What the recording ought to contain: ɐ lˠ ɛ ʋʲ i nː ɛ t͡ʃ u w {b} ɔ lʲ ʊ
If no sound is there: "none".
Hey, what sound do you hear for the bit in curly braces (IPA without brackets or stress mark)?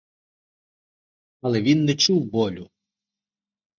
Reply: b